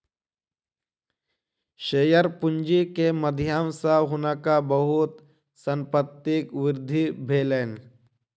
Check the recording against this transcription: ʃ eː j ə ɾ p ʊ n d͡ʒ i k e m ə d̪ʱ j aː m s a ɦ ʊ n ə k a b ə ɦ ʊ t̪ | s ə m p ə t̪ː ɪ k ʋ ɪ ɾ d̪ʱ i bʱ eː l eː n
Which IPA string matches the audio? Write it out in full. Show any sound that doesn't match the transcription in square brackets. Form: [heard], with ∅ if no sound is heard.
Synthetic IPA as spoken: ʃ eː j ə ɾ p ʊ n d͡ʒ i k e m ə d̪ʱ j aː m s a ɦ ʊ n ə k a b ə ɦ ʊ t̪ | s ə m p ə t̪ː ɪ k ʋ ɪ ɾ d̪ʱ i bʱ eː l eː n